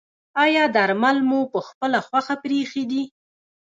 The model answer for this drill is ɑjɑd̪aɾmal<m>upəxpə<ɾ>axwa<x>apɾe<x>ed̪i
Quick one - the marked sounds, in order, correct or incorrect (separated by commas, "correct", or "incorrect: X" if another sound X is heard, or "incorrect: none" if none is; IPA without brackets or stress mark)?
correct, incorrect: l, correct, correct